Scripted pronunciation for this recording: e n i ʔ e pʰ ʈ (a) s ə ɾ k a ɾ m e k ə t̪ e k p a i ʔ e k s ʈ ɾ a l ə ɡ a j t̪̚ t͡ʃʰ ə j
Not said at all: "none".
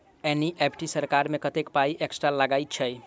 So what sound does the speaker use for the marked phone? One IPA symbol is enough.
i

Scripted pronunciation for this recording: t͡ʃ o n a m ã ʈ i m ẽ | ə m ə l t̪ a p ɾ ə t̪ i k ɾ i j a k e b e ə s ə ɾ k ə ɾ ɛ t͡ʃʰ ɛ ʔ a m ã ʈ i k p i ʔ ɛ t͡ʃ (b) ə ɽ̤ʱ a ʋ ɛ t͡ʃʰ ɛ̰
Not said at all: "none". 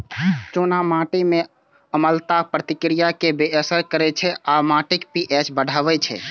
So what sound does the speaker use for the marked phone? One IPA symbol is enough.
b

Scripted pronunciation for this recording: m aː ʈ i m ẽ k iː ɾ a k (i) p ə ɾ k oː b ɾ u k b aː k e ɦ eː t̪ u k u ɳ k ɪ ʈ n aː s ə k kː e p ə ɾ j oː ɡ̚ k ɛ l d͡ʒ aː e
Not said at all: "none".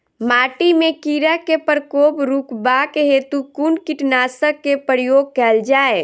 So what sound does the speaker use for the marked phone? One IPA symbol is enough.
e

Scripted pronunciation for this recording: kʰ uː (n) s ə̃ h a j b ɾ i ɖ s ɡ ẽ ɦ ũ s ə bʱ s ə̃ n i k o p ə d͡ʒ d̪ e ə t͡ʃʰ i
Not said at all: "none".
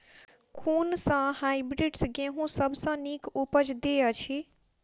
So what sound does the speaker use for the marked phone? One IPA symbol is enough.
n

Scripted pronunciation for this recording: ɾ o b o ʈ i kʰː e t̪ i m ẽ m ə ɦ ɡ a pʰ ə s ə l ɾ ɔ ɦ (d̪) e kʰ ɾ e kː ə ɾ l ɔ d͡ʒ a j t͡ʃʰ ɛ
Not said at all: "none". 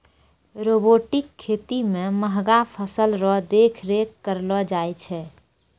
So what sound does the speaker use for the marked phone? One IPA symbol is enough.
d̪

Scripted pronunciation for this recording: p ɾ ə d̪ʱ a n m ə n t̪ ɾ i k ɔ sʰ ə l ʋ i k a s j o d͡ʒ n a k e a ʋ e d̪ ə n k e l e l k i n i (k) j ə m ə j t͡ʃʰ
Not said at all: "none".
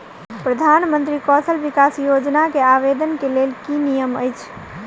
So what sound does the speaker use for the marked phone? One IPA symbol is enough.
none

